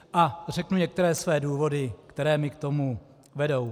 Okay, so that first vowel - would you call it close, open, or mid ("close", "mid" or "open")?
open